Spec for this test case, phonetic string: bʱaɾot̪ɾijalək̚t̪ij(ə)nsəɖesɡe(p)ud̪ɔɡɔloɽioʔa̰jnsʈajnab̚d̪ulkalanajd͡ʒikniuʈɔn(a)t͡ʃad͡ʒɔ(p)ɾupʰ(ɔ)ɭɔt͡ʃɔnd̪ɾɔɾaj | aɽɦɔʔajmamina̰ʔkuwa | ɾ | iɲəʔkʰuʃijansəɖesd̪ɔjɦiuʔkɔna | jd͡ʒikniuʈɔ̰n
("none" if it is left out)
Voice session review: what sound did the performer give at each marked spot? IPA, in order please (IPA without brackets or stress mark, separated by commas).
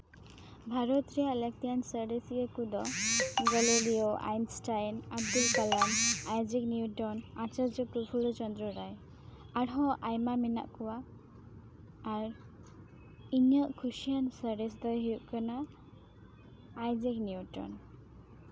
a, k, a, p, u